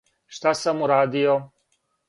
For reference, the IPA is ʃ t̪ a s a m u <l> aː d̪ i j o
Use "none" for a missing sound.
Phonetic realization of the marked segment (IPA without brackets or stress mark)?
ɾ